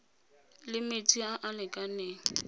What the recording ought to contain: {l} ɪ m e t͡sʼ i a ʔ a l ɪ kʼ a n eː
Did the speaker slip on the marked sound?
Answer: no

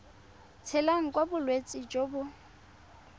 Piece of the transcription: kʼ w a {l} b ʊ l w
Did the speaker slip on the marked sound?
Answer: yes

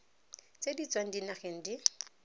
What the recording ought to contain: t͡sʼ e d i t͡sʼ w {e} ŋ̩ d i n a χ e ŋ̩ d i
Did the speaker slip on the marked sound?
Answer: yes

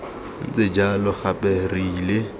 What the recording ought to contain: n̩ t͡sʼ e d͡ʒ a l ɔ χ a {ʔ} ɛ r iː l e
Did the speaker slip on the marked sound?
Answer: yes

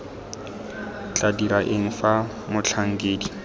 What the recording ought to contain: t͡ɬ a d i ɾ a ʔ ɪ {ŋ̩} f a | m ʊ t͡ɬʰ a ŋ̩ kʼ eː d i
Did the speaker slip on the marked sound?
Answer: no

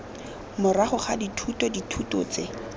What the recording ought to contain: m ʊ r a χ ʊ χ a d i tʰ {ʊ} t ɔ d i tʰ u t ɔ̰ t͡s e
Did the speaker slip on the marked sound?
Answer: yes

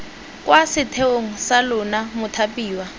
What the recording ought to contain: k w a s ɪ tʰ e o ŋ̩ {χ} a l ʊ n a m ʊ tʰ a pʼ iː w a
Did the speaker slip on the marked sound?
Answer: yes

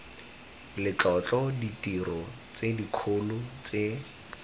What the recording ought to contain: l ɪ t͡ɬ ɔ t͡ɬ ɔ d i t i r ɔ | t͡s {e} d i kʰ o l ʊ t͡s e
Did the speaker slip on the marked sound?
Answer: no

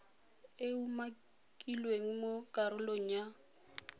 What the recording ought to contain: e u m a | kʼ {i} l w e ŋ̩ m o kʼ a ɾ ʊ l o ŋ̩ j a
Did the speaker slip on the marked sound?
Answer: no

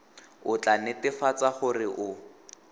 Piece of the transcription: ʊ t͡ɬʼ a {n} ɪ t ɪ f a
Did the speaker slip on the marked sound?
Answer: no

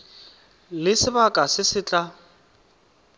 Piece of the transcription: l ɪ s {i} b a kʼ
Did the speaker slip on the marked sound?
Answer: yes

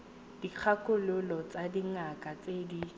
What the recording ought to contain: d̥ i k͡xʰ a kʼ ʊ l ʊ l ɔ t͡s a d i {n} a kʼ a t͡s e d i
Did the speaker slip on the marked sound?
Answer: yes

